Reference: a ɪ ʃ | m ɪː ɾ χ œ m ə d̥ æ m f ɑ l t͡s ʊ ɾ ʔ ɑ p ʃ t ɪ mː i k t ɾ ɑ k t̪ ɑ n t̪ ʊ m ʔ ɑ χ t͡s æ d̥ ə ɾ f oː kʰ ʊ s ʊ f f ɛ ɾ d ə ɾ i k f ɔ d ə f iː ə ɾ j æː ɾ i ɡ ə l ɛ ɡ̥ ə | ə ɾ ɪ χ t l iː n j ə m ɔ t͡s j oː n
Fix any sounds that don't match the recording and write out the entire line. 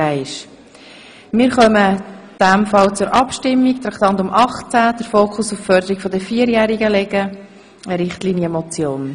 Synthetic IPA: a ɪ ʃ | m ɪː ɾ χ œ m ə d̥ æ m f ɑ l t͡s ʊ ɾ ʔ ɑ p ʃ t ɪ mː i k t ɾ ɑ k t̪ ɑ n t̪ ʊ m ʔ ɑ χ t͡s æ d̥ ə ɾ f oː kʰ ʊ s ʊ f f œ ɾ d ə ɾ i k f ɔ d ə f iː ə ɾ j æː ɾ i ɡ ə l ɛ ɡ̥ ə | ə ɾ ɪ χ t l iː n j ə m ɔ t͡s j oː n